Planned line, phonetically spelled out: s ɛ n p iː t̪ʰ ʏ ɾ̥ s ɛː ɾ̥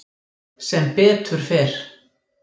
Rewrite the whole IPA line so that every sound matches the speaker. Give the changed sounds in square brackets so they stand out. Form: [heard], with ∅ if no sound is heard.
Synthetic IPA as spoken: s ɛ [m] p [ɛː] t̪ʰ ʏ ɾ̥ [f] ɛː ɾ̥